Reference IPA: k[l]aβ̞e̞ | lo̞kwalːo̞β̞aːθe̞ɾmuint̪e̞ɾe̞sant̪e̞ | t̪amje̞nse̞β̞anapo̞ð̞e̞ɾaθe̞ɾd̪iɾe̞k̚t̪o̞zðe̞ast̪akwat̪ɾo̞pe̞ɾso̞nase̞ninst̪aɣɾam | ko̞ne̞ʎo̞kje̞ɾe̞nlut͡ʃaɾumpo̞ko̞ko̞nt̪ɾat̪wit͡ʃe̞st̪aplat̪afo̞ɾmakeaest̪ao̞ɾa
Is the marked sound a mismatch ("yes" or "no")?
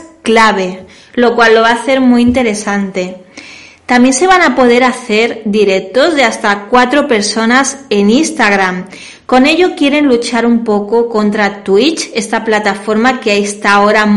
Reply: no